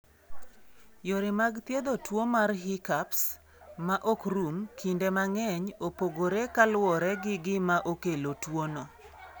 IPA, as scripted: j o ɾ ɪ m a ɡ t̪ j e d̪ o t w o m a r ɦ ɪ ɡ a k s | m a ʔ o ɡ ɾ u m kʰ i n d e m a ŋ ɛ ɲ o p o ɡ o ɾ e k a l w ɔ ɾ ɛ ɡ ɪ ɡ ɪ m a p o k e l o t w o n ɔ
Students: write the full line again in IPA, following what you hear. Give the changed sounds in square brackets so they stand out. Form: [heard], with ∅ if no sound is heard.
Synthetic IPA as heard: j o ɾ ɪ m a ɡ t̪ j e d̪ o t w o m a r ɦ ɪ [k] a [p] s | m a ʔ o [k] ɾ u m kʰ i n d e m a ŋ ɛ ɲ o p o ɡ o ɾ e k a l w ɔ ɾ ɛ ɡ ɪ ɡ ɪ m a [ʔ] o k e l o t w o n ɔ